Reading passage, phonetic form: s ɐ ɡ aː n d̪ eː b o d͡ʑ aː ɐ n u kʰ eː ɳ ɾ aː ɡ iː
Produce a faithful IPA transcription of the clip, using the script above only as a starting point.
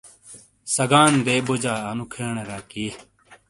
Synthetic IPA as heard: s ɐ ɡ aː n d̪ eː b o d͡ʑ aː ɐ n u kʰ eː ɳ ɾ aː k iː